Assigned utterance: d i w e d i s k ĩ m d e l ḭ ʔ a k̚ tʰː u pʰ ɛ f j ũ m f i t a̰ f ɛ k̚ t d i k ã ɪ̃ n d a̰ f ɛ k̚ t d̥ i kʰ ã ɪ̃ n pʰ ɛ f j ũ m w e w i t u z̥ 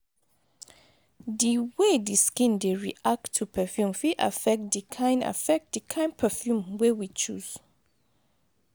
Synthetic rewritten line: d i w e d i s k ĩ n d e ɹ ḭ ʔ a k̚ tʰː u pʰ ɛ f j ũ m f i ʔ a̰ f ɛ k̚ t d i kʰ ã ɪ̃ n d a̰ f ɛ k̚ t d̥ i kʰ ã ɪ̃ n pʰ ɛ f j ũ m w e w i t͡ʃ u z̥